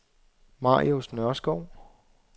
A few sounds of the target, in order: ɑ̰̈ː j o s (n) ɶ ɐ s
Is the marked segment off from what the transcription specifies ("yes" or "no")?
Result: no